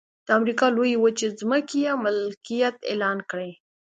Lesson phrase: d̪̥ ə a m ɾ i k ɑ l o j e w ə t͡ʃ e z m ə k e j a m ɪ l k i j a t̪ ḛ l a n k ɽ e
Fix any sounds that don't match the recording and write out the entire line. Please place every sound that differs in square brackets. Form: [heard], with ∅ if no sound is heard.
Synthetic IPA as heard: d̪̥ ə a m ɾ i k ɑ l o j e w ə t͡ʃ e z m ə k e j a m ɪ l k i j a t̪ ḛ l [ɑ] n k ɽ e